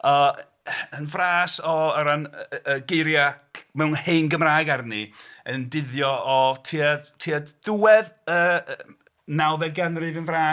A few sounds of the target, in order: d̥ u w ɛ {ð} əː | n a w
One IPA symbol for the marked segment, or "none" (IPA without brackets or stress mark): ð